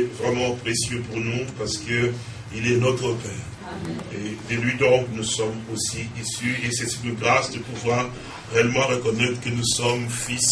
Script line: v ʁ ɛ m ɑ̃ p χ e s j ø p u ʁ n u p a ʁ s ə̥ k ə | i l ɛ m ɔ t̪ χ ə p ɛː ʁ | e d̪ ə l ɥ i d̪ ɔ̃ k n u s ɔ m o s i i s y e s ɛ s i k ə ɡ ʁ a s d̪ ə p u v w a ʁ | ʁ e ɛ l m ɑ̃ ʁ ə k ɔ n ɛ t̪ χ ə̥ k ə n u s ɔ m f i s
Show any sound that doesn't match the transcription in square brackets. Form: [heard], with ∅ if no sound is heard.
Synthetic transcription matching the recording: v ʁ ɛ m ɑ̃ p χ e s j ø p u ʁ n u p a ʁ s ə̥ k ə | i l ɛ [n] ɔ t̪ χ ə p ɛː ʁ | e d̪ ə l ɥ i d̪ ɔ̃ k n u s ɔ m o s i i s y e s ɛ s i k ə ɡ ʁ a s d̪ ə p u v w a ʁ | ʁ e ɛ l m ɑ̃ ʁ ə k ɔ n ɛ t̪ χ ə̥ k ə n u s ɔ m f i s